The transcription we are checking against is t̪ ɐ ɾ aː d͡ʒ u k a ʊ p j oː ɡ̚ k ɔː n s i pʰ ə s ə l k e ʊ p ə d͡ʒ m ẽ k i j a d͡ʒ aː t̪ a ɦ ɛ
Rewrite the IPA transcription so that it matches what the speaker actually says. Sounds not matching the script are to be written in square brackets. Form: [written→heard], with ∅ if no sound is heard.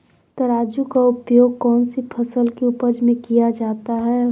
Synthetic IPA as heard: t̪ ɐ ɾ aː d͡ʒ u k a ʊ p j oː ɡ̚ k ɔː n s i pʰ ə s ə l k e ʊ p ə d͡ʒ m ẽ k i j a d͡ʒ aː t̪ a ɦ ɛ